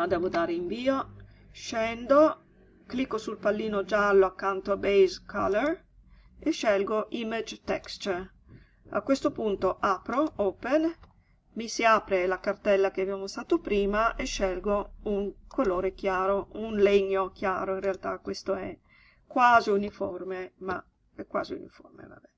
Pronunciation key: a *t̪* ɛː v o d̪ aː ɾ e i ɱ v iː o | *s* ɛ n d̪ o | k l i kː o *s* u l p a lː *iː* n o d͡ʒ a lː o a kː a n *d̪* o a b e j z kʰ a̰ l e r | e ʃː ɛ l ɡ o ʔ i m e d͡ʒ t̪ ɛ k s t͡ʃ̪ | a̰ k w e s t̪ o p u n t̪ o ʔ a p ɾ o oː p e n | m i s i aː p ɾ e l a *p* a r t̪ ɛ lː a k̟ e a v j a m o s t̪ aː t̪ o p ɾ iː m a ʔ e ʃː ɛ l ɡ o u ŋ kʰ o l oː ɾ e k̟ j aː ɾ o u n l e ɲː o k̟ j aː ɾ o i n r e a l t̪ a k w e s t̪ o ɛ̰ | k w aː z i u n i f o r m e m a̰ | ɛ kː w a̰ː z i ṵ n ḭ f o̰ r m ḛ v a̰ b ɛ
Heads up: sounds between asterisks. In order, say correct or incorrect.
incorrect, incorrect, correct, correct, incorrect, incorrect

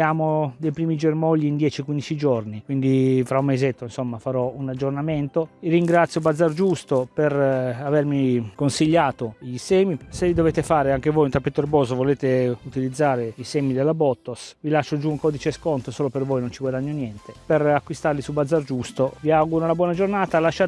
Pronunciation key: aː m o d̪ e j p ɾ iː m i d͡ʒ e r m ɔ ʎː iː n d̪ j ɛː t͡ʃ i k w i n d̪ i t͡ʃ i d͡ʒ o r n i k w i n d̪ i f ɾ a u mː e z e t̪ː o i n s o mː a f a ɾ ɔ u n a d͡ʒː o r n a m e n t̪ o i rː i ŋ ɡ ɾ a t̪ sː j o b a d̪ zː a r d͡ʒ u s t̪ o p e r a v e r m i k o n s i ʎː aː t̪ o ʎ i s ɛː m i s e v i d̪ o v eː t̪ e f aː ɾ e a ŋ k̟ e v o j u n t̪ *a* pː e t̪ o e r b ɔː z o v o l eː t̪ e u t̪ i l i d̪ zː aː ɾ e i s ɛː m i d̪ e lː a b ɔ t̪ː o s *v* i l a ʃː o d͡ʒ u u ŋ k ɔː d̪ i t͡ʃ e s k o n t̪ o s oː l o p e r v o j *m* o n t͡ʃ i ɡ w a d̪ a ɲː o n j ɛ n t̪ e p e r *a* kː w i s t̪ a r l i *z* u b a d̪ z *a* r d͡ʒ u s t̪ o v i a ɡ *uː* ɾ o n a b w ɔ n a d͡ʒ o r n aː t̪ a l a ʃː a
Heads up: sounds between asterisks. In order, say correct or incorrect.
correct, correct, incorrect, correct, incorrect, correct, incorrect

